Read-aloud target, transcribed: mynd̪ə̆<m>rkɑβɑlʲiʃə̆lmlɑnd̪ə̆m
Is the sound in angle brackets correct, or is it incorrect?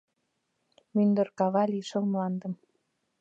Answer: incorrect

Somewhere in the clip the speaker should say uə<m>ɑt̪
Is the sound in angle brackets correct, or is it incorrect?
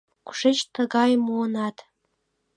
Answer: incorrect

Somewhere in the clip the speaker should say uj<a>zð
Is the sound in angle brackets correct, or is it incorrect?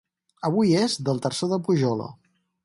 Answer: incorrect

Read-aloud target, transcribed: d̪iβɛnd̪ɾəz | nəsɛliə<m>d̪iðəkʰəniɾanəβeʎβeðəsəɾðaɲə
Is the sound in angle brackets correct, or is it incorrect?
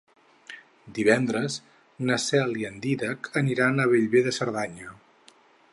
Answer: incorrect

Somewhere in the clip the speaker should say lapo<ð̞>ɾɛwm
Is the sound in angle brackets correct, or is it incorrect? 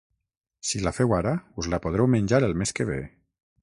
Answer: correct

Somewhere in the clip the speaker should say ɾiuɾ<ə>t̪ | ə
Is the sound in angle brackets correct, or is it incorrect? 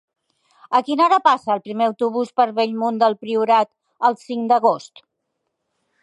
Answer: incorrect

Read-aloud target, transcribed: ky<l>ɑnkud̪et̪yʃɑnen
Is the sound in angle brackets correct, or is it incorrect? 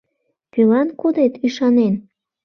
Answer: correct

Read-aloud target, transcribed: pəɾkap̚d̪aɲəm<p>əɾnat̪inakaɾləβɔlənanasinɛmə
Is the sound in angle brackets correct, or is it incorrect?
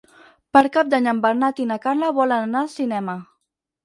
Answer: incorrect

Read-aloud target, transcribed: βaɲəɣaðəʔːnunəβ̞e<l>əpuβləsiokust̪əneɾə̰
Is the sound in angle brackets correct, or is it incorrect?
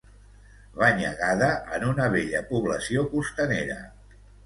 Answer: incorrect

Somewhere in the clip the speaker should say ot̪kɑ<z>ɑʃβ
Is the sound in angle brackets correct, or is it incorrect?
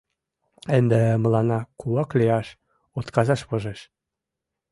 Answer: correct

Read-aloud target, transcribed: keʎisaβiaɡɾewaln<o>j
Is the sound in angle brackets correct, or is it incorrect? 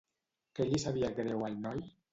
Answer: incorrect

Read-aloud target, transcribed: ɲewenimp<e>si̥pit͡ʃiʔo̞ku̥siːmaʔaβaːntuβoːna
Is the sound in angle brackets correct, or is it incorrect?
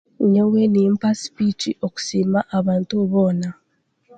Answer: incorrect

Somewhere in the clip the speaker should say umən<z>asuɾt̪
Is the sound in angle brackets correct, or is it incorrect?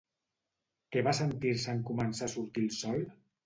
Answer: incorrect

